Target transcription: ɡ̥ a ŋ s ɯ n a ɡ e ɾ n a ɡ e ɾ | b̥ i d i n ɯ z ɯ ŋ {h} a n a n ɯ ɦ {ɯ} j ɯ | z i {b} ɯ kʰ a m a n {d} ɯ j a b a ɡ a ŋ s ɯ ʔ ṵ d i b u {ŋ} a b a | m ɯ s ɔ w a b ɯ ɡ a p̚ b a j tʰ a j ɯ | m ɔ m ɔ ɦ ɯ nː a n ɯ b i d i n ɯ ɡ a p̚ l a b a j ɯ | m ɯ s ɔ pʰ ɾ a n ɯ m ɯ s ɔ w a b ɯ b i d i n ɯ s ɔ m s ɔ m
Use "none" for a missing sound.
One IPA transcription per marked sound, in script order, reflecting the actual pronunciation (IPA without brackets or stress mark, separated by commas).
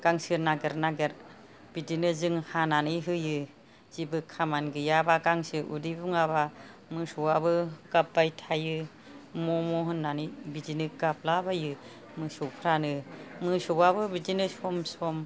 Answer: h, ɯ, b, ɡ, ŋ